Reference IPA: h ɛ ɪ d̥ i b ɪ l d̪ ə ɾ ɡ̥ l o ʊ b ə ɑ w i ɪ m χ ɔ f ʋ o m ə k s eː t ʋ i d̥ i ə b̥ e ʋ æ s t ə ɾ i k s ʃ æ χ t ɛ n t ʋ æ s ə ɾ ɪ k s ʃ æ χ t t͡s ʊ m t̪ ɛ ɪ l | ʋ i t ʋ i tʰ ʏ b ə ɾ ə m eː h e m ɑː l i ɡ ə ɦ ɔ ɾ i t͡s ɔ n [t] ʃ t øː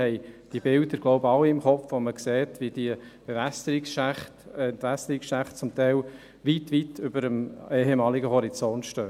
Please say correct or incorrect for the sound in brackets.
correct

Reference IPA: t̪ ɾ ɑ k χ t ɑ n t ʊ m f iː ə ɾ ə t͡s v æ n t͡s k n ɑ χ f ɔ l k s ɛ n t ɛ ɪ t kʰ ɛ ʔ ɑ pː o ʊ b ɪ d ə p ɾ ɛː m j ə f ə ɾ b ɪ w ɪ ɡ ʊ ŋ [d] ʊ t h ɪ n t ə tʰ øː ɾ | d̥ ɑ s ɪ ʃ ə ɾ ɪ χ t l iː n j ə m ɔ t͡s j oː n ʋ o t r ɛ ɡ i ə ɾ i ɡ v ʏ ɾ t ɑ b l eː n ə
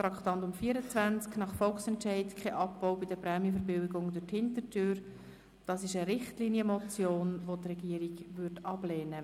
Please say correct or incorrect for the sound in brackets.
correct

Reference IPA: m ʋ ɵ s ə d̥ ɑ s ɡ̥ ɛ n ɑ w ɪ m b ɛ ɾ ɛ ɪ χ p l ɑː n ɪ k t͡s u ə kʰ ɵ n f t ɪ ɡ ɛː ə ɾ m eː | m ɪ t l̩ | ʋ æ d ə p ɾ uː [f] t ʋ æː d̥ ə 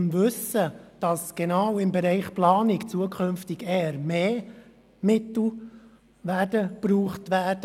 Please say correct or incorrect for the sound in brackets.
incorrect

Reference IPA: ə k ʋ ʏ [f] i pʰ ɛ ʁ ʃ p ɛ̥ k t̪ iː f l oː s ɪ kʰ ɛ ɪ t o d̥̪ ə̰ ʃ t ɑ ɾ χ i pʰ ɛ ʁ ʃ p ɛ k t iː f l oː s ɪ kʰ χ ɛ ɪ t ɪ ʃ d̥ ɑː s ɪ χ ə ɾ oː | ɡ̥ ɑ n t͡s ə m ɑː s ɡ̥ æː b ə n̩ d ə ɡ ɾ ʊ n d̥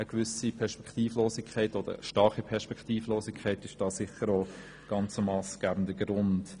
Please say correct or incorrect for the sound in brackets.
incorrect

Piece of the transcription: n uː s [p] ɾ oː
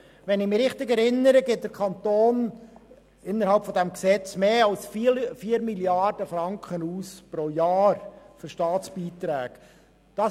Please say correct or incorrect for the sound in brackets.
correct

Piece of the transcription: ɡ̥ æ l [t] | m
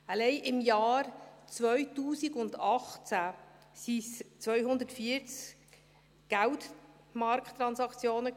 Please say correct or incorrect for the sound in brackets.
correct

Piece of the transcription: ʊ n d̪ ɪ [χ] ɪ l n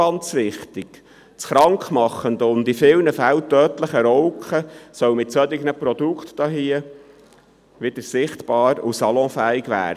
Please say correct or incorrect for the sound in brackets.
incorrect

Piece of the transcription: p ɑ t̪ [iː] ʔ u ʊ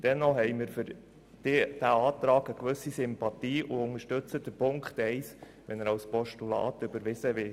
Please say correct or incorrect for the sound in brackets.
correct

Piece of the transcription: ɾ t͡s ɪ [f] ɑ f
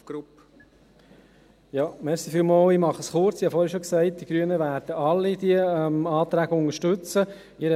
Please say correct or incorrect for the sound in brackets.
incorrect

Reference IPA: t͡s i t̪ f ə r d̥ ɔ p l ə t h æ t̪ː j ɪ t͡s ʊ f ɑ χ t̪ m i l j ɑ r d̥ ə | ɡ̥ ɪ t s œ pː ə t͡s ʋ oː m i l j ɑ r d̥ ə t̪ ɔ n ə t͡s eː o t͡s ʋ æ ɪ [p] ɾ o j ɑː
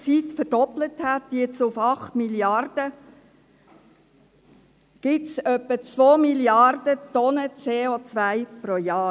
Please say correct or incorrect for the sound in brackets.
correct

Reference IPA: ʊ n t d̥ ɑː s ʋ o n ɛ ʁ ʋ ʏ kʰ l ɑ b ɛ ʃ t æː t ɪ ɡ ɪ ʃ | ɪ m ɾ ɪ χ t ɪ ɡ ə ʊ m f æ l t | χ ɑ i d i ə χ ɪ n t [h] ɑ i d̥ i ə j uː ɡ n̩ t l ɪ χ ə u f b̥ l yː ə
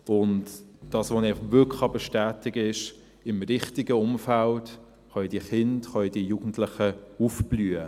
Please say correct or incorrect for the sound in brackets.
incorrect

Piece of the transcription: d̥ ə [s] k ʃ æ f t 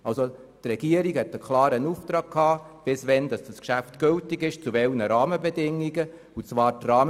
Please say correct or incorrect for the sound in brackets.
correct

